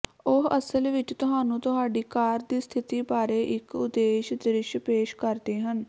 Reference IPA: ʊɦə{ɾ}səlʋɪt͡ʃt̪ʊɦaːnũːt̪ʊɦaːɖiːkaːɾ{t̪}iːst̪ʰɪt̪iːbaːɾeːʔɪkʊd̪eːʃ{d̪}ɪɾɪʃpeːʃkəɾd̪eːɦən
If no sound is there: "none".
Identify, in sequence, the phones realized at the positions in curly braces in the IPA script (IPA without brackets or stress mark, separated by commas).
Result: none, d̪, d̪